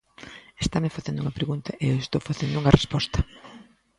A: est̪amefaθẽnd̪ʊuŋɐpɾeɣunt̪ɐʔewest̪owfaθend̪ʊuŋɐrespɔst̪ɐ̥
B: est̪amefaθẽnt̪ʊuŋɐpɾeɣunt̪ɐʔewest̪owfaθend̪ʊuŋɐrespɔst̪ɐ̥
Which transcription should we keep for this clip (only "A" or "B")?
A